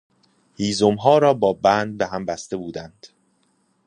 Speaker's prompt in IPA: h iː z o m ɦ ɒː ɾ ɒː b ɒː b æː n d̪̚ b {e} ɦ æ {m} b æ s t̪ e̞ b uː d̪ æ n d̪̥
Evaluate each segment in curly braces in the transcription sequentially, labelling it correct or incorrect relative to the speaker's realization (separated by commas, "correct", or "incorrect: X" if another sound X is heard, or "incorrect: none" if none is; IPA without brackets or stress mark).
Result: correct, correct